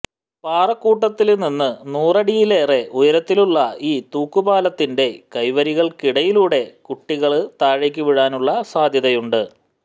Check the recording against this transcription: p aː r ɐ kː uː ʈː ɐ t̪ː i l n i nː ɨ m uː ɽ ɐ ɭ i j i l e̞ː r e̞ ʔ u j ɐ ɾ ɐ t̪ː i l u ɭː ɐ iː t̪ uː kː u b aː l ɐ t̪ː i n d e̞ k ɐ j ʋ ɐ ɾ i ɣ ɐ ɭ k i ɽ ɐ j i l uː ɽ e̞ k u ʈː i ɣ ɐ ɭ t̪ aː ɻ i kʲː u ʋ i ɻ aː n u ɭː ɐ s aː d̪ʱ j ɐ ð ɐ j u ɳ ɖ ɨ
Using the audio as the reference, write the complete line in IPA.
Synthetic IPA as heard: p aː r ɐ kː uː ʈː ɐ t̪ː i l n i nː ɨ n uː r ɐ ɽ i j i l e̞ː r e̞ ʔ u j ɐ ɾ ɐ t̪ː i l u ɭː ɐ iː t̪ uː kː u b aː l ɐ t̪ː i n d e̞ k ɐ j ʋ ɐ ɾ i ɣ ɐ ɭ k i ɽ ɐ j i l uː ɽ e̞ k u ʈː i ɣ ɐ ɭ t̪ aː ɻ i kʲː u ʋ i ɻ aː n u ɭː ɐ s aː d̪ʱ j ɐ ð ɐ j u ɳ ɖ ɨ